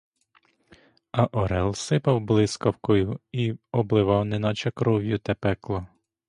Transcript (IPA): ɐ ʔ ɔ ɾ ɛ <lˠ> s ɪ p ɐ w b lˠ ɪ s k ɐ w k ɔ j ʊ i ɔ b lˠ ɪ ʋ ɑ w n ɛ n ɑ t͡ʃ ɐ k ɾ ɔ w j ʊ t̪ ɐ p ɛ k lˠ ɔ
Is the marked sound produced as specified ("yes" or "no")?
yes